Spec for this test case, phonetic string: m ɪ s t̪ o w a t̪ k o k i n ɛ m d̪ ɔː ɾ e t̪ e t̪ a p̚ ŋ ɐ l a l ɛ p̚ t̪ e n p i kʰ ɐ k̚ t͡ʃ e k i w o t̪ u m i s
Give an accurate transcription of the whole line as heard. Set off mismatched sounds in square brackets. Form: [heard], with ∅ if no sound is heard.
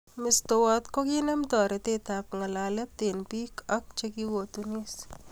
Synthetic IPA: m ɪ s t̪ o w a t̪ k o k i n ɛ m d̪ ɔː ɾ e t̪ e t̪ a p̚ ŋ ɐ l a l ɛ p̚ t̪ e n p i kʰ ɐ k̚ t͡ʃ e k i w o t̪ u [n] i s